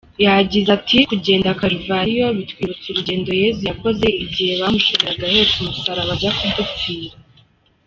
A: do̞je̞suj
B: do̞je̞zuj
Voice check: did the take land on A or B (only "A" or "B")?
B